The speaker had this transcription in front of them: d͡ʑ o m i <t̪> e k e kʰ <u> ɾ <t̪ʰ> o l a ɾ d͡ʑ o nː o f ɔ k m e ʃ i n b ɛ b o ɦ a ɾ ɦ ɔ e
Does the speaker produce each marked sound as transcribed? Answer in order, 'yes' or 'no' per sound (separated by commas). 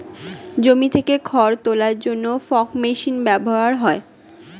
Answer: no, no, no